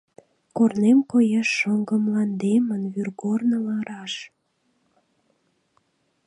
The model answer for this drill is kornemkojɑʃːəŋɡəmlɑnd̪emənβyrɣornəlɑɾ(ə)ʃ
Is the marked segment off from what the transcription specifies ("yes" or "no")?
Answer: yes